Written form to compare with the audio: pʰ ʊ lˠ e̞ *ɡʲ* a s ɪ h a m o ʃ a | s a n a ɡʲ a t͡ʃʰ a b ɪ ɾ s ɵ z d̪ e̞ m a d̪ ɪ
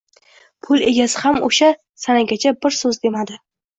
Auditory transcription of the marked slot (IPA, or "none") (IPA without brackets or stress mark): ɡʲ